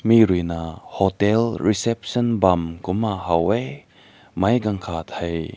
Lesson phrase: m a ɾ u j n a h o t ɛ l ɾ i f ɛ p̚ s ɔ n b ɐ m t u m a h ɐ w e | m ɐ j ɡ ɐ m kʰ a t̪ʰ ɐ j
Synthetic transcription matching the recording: m i ɾ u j n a h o t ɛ l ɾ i s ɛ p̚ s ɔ n b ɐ m k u m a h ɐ w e | m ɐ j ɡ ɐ ŋ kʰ a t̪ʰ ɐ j